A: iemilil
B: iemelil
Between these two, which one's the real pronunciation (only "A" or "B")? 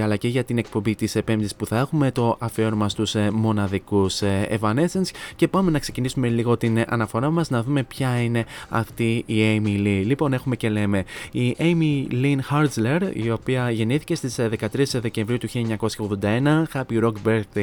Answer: A